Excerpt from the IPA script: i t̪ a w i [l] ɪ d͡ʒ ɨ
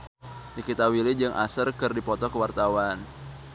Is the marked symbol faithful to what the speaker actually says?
yes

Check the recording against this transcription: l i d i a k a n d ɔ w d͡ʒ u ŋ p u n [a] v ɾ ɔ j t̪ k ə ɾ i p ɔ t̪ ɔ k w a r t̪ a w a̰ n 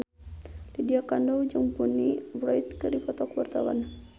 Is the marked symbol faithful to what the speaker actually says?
no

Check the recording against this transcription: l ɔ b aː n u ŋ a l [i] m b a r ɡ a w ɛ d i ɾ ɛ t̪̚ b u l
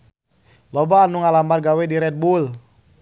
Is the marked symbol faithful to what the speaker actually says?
no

